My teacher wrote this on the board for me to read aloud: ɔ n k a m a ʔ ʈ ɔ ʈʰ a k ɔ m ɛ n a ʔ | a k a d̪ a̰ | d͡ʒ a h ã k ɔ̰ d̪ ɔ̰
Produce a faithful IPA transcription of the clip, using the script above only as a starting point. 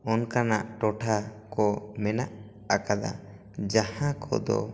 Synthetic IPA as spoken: ɔ n k a n a ʔ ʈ ɔ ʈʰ a k ɔ m ɛ n a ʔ | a k a d̪ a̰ | d͡ʒ a h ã k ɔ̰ d̪ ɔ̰